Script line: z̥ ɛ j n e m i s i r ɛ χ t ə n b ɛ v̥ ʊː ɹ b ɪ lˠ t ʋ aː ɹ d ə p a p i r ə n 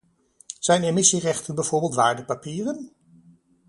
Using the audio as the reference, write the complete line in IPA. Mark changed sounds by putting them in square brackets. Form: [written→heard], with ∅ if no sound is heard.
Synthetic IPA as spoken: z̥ ɛ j n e m [i→ɪ] s i r ɛ χ t ə n b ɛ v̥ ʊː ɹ b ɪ lˠ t ʋ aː ɹ d ə p a p [i→iː] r ə n